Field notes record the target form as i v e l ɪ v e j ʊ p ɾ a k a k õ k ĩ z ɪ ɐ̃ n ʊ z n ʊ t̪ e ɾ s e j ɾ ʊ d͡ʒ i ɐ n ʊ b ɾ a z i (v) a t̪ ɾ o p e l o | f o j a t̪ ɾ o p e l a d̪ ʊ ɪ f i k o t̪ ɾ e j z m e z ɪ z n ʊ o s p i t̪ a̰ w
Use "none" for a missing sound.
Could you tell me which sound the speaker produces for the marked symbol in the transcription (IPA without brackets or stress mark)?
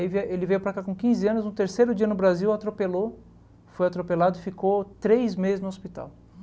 w